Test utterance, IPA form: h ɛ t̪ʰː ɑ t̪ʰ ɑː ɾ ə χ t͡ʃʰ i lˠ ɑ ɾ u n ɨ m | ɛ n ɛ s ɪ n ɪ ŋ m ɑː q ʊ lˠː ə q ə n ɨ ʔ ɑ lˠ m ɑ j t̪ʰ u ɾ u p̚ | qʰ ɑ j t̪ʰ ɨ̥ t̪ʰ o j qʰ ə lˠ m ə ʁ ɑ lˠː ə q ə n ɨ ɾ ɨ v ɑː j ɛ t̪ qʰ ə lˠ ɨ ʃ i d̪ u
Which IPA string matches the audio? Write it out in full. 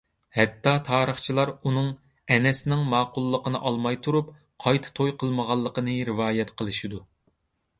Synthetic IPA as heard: h ɛ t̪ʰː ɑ t̪ʰ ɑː ɾ ə χ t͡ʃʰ i lˠ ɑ ɾ u n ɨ ŋ | ɛ n ɛ s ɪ n ɪ ŋ m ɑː q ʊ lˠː ə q ə n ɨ ʔ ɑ lˠ m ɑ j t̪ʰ u ɾ u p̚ | qʰ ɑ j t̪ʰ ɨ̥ t̪ʰ o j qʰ ə lˠ m ə ʁ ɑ lˠː ə q ə n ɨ ɾ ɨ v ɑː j ɛ t̪ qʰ ə lˠ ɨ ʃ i d̪ u